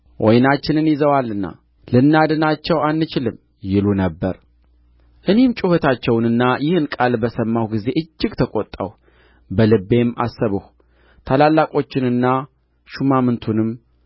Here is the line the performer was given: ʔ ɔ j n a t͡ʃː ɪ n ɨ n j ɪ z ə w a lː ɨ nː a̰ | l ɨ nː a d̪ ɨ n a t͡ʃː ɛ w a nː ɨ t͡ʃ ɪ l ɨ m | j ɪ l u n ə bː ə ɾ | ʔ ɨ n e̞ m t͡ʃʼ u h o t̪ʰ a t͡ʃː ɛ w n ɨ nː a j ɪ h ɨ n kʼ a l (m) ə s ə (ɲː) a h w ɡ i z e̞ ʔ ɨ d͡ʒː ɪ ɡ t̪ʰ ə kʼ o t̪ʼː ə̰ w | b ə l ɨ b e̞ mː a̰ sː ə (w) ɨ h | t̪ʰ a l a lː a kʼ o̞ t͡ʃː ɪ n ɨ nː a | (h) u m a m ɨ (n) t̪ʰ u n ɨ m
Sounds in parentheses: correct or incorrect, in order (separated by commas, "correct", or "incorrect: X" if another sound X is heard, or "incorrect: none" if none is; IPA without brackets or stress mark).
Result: incorrect: b, incorrect: mː, incorrect: β, incorrect: ʃ, correct